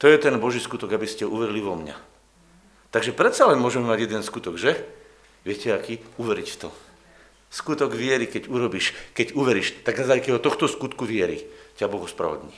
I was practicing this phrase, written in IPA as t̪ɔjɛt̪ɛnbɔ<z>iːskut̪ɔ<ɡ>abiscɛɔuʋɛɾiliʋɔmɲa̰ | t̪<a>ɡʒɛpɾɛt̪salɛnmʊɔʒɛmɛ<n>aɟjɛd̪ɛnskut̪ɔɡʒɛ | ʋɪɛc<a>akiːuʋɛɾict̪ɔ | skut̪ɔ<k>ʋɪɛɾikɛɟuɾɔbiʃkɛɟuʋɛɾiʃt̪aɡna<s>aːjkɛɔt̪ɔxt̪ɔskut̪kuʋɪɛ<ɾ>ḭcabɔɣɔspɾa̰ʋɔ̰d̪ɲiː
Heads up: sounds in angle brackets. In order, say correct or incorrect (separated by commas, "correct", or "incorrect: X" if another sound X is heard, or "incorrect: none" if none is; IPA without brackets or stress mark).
incorrect: ʒ, correct, correct, incorrect: m, incorrect: ɛ, incorrect: ɡ, incorrect: z, correct